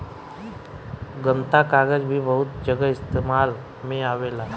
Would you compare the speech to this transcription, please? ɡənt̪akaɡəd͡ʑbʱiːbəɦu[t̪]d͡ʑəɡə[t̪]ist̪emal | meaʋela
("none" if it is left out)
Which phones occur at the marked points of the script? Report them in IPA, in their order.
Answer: t̪, none

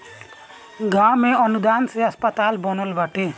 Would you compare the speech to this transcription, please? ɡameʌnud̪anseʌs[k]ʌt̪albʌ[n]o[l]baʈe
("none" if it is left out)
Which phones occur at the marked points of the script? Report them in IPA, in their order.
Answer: p, n, l

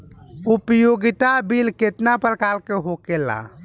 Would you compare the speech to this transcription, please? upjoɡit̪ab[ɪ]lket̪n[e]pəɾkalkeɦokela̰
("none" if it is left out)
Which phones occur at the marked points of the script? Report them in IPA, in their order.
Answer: i, a

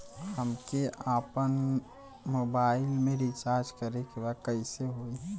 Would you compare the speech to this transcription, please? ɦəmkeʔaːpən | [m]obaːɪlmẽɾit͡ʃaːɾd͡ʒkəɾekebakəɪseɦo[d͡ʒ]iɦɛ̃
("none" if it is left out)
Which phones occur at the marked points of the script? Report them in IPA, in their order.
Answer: m, none

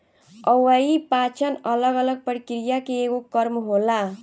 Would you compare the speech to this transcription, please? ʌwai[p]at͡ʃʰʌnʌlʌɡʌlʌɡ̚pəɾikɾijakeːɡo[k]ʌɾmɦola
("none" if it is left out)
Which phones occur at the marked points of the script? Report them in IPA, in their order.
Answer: p, k

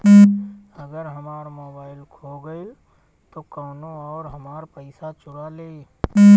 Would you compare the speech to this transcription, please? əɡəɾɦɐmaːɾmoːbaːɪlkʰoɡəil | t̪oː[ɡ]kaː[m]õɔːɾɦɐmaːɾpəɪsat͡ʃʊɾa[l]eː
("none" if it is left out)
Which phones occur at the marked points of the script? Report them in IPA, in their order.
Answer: none, n, l

